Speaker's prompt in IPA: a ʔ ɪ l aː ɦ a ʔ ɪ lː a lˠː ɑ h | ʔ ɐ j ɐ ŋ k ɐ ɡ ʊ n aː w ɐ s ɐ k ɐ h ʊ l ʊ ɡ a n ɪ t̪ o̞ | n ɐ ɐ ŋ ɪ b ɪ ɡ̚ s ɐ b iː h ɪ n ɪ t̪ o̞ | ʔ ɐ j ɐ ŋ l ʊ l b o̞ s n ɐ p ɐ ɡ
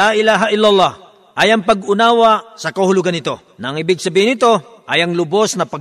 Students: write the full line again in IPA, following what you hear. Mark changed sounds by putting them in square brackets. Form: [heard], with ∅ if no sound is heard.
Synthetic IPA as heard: a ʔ ɪ l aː ɦ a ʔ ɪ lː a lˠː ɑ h | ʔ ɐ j ɐ ŋ [p] ɐ ɡ ʊ n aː w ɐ s ɐ k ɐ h ʊ l ʊ ɡ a n ɪ t̪ o̞ | n ɐ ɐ ŋ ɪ b ɪ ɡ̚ s ɐ b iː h ɪ n ɪ t̪ o̞ | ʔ ɐ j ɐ ŋ l ʊ [∅] b o̞ s n ɐ p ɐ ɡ